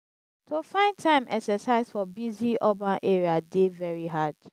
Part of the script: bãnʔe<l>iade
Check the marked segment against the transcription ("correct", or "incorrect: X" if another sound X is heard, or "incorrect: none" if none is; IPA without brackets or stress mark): incorrect: ɹ